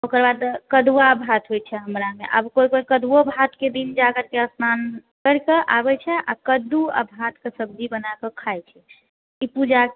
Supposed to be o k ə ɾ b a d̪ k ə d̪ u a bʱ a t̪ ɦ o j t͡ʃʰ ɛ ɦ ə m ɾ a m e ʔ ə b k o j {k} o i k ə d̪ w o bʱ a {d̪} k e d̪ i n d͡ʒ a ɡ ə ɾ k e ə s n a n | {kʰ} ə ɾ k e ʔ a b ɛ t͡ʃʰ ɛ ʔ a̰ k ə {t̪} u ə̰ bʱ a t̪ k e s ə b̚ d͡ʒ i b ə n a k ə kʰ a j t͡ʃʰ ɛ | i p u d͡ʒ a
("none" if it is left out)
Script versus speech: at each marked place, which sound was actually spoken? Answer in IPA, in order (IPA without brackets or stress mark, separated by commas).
k, t̪, k, d̪